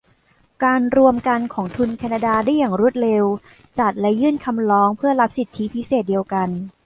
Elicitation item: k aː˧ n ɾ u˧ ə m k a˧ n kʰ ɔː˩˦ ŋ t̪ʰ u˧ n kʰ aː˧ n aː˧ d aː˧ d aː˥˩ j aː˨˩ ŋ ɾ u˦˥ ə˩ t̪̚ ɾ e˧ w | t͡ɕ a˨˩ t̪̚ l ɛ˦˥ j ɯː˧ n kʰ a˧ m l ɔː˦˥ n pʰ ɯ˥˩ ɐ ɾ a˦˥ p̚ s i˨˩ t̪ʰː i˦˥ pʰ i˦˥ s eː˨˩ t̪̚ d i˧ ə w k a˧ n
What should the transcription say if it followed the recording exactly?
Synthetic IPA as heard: k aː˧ n ɾ u˧ ə m k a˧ n kʰ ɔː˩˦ ŋ t̪ʰ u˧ n kʰ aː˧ n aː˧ d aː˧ d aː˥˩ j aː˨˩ ŋ ɾ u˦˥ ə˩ t̪̚ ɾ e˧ w | t͡ɕ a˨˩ t̪̚ l ɛ˦˥ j ɯː˥˩ n kʰ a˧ m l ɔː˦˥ ŋ pʰ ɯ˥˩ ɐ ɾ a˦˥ p̚ s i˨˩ t̪ʰː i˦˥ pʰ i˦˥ s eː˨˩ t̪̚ d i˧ ə w k a˧ n

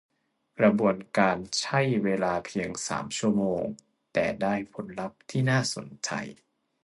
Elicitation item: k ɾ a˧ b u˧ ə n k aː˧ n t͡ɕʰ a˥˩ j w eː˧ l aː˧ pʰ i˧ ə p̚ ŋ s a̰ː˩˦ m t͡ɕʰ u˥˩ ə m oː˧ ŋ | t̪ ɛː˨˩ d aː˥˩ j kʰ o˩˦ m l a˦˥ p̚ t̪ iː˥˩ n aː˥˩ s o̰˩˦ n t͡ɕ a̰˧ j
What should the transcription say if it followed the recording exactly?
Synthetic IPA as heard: k ɾ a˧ b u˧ ə n k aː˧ n t͡ɕʰ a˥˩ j w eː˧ l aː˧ pʰ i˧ ə ŋ s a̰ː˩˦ m t͡ɕʰ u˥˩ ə m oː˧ ŋ | t̪ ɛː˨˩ d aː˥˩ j pʰ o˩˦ n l a˦˥ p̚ t̪ʰ iː˥˩ n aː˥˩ s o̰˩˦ n t͡ɕ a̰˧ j

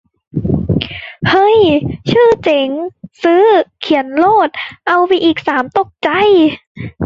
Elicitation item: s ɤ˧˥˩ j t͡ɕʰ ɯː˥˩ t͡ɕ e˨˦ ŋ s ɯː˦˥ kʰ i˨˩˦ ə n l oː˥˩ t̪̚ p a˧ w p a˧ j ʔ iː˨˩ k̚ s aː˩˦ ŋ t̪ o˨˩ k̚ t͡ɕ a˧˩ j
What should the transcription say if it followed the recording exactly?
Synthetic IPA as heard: h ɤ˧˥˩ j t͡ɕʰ ɯː˥˩ t͡ɕ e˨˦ ŋ s ɯː˦˥ kʰ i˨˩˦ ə n l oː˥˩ t̪̚ ʔ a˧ w p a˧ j ʔ iː˨˩ k̚ s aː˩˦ m t̪ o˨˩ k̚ t͡ɕ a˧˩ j

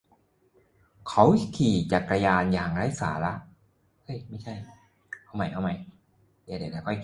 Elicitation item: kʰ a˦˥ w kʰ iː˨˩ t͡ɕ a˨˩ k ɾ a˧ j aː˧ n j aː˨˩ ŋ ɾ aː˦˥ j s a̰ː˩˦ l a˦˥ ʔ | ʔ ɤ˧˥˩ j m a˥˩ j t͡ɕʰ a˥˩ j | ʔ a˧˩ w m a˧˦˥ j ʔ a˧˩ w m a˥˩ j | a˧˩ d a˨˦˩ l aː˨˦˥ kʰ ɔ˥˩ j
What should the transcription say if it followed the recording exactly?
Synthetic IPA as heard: kʰ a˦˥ w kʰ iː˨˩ t͡ɕ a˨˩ k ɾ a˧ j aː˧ n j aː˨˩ ŋ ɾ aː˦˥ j s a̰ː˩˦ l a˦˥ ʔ | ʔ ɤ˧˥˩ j m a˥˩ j t͡ɕʰ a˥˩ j | ʔ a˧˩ w m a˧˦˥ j ʔ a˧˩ w m a˦˥ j | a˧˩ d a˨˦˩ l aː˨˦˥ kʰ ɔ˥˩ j

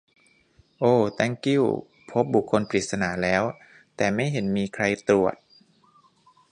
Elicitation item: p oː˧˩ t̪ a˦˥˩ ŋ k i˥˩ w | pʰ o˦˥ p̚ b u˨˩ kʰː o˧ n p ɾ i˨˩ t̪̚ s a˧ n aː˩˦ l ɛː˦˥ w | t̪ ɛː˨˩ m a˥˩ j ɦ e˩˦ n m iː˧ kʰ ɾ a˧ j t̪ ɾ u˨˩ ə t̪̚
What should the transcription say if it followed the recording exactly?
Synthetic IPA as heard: ʔ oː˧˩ t̪ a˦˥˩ ŋ k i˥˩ w | pʰ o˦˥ p̚ b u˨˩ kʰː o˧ n p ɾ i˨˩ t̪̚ s a˧ n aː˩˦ l ɛː˦˥ w | t̪ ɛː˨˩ m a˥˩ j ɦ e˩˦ n m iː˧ kʰ ɾ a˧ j t̪ ɾ u˨˩ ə t̪̚

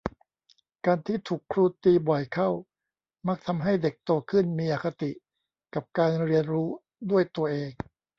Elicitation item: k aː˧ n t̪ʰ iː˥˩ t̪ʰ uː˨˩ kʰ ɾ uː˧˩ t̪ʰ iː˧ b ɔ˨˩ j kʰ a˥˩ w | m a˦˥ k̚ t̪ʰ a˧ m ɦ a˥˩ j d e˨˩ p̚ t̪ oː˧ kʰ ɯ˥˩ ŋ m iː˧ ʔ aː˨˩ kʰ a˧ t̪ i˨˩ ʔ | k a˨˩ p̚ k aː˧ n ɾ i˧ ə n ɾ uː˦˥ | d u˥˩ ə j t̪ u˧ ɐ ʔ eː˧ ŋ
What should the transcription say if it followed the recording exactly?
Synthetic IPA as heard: k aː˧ n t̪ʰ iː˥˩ t̪ʰ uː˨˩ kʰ ɾ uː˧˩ t̪ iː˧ b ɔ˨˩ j kʰ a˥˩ w | m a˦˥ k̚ t̪ʰ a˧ m ɦ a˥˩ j d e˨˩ k̚ t̪ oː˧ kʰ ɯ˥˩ n m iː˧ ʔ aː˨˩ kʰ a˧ t̪ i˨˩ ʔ | k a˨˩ p̚ k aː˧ n ɾ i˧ ə n ɾ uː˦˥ | d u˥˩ ə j t̪ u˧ ɐ ʔ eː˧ ŋ

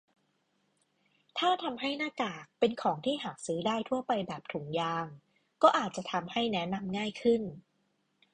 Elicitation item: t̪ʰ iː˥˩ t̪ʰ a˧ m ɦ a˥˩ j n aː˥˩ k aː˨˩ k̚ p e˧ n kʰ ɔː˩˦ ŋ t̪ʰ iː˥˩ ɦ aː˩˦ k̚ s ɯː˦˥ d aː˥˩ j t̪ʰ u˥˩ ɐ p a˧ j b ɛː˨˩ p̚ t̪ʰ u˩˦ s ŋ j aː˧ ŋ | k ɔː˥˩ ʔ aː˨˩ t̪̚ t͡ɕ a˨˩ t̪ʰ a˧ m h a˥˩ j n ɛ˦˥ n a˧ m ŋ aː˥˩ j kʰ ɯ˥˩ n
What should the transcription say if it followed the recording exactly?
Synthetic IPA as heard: t̪ʰ aː˥˩ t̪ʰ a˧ m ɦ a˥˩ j n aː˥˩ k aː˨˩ k̚ p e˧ n kʰ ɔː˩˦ ŋ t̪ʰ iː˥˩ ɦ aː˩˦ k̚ s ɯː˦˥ d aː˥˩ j t̪ʰ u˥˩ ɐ p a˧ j b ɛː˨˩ p̚ t̪ʰ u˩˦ ŋ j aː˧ ŋ | k ɔː˥˩ ʔ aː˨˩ t̪̚ t͡ɕ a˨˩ t̪ʰ a˧ m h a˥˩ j n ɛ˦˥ n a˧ m ŋ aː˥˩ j kʰ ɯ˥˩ n

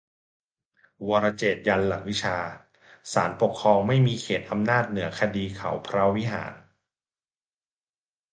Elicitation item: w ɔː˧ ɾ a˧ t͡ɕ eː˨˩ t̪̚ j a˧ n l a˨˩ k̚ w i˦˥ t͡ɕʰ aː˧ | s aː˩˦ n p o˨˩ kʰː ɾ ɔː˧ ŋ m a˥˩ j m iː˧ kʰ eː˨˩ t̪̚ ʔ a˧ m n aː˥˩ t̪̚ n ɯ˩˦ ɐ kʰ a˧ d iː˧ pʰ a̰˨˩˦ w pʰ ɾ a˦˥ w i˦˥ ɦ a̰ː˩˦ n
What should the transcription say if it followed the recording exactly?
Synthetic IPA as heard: w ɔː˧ ɾ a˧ t͡ɕ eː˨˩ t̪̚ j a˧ n l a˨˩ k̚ w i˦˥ t͡ɕʰ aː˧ | s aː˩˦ n p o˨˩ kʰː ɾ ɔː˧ ŋ m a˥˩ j m iː˧ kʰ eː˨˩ t̪̚ ʔ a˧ m n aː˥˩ t̪̚ n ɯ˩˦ ɐ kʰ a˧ d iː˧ kʰ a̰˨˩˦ w pʰ ɾ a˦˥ w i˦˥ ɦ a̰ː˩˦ n

